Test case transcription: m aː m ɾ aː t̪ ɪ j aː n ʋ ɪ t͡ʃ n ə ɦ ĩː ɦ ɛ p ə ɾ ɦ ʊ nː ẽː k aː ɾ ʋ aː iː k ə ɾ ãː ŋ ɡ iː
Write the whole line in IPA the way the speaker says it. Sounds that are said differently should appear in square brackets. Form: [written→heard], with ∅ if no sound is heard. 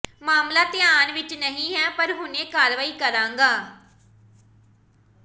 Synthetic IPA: m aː m [ɾ→l] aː t̪ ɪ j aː n ʋ ɪ t͡ʃ n ə ɦ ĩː ɦ [ɛ→ɛː] p ə ɾ ɦ ʊ [nː→n] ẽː k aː ɾ ʋ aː iː k ə ɾ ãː ŋ ɡ [iː→aː]